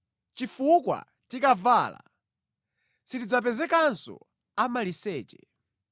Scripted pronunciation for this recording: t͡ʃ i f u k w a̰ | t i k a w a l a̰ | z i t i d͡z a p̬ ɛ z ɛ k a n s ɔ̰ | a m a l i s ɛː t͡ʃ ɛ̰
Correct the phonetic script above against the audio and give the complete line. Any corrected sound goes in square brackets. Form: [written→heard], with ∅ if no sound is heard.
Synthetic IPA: t͡ʃ i f u k w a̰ | t i k a [w→v] a l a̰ | [z→s] i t i d͡z a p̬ ɛ z ɛ k a n s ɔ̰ | a m a l i s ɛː t͡ʃ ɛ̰